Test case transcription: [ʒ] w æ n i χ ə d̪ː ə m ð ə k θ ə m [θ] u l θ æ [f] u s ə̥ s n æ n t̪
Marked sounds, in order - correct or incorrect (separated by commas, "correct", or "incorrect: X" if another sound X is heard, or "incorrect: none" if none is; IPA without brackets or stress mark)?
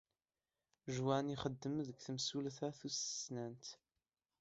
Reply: correct, incorrect: s, incorrect: θ